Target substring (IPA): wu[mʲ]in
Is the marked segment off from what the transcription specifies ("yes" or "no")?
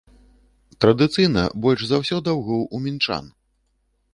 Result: no